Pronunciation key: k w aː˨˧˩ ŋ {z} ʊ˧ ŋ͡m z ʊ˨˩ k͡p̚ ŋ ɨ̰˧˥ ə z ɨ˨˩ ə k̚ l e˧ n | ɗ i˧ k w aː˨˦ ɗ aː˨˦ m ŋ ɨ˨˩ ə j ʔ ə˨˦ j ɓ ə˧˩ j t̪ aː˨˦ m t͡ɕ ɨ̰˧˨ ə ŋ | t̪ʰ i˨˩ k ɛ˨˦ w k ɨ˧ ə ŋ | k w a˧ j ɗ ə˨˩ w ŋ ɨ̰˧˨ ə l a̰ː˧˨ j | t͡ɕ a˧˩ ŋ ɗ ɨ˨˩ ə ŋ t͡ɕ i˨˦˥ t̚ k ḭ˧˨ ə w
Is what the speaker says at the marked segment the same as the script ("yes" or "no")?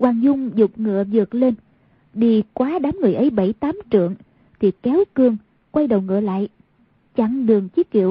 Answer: yes